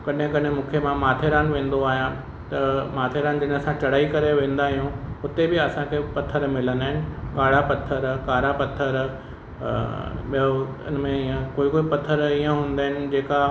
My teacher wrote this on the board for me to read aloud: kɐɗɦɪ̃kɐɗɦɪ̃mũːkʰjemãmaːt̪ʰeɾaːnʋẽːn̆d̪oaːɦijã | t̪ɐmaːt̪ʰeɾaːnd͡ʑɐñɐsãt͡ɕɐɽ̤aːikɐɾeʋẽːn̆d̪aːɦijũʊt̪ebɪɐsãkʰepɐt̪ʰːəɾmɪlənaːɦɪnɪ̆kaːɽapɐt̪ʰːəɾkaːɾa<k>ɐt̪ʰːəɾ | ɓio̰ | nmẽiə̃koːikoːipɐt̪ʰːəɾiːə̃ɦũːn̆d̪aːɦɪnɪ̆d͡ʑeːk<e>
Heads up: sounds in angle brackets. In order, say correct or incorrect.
incorrect, incorrect

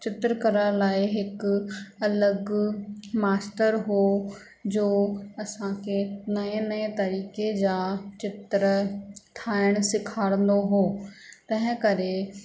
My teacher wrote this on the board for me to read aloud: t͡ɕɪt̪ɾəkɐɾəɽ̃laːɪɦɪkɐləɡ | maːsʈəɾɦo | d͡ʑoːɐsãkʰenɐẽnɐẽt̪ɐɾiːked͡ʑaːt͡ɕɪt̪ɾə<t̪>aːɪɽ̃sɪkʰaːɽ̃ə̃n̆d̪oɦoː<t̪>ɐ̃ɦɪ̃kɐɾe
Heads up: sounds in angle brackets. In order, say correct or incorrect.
incorrect, correct

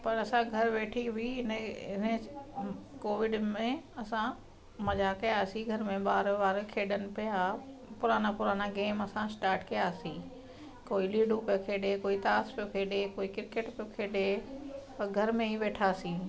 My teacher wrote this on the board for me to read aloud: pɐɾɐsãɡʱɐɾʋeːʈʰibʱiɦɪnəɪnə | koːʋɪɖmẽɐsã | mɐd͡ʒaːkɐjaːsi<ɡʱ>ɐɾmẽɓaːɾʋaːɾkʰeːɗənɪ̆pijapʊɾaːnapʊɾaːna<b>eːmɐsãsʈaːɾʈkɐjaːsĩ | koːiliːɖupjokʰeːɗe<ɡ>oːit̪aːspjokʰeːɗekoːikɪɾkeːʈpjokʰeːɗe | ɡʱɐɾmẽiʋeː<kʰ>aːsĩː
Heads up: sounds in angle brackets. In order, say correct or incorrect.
correct, incorrect, incorrect, incorrect

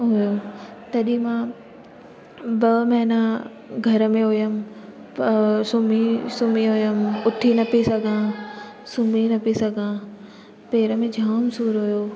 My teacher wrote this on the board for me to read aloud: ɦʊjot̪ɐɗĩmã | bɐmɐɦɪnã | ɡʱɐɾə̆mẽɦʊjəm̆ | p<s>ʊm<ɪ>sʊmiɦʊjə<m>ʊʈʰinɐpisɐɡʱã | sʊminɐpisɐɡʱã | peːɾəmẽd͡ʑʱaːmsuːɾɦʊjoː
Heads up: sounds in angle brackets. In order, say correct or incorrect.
correct, incorrect, correct

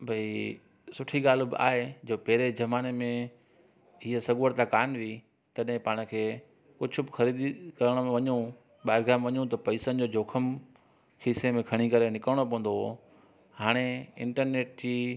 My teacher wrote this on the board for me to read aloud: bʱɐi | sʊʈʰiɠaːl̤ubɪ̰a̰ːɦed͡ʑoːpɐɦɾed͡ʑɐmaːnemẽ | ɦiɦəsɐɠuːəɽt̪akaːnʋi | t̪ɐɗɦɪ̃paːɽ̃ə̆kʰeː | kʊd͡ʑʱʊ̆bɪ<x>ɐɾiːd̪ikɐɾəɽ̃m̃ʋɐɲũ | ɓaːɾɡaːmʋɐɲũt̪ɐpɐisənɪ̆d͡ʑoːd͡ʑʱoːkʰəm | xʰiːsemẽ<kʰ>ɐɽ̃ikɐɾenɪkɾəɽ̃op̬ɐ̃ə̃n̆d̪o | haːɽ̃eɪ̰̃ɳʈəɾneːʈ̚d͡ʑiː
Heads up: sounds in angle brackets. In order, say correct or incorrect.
correct, correct

